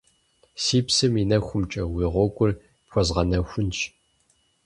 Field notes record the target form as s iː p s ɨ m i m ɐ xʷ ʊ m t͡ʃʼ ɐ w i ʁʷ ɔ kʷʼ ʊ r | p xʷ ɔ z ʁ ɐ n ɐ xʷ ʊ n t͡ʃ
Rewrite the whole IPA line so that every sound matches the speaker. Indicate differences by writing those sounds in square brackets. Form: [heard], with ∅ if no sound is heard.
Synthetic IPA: s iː p s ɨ m i [n] ɐ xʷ ʊ m t͡ʃʼ ɐ w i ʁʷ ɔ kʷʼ ʊ r | p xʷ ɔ z ʁ ɐ n ɐ xʷ ʊ n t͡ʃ